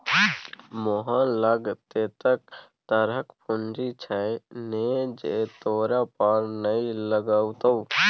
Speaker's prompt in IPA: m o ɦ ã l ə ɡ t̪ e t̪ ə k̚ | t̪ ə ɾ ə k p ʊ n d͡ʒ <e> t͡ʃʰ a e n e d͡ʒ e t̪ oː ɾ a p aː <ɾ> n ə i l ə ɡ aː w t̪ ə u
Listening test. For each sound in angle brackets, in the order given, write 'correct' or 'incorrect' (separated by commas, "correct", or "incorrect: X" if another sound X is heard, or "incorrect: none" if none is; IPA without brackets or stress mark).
incorrect: i, correct